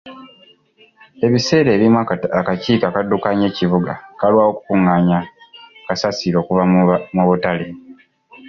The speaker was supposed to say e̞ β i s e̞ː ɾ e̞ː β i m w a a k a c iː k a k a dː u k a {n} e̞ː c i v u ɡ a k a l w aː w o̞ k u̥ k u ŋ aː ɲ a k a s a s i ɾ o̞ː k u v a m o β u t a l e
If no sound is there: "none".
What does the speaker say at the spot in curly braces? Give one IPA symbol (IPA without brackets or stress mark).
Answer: ɲ